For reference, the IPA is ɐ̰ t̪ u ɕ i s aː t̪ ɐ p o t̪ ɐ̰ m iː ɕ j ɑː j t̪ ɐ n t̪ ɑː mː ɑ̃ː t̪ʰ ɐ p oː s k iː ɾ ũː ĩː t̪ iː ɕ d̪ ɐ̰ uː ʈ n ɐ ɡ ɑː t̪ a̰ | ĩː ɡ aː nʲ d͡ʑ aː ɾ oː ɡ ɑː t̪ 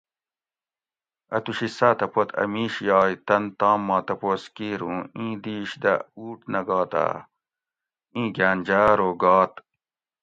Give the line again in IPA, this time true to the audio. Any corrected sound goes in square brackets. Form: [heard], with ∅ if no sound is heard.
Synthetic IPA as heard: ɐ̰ t̪ u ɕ i s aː t̪ ɐ p o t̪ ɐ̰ m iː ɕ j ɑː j t̪ ɐ n t̪ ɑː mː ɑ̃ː [t̪] ɐ p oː s k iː ɾ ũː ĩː [d̪] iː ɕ d̪ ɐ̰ uː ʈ n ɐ ɡ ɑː t̪ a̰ | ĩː ɡ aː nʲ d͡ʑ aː ɾ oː ɡ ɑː t̪